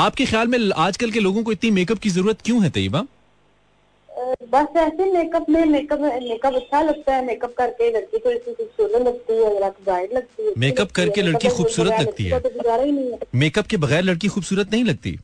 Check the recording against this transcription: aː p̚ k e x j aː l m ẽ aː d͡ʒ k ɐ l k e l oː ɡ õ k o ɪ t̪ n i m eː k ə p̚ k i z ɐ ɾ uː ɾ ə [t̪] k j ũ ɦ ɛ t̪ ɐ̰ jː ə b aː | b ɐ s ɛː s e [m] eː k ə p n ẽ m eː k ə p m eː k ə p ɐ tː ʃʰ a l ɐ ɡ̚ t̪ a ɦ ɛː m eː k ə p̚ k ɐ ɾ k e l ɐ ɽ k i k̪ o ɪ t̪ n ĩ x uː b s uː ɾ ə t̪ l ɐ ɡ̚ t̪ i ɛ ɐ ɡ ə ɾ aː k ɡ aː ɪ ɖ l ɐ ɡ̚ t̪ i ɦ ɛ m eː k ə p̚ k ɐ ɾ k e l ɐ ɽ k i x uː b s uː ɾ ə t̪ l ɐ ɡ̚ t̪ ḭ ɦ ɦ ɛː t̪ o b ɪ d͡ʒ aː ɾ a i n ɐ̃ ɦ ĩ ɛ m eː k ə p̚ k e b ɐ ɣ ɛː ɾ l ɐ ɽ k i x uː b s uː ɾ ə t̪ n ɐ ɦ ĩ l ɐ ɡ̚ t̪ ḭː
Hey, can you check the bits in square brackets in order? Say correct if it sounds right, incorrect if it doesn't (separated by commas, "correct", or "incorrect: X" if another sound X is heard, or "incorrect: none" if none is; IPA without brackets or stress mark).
correct, correct